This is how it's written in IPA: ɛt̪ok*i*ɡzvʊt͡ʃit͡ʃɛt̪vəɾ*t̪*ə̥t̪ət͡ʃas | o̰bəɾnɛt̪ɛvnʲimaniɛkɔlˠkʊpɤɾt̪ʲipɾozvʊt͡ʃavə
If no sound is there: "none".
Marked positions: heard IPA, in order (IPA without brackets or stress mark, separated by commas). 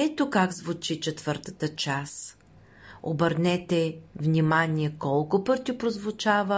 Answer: a, t̪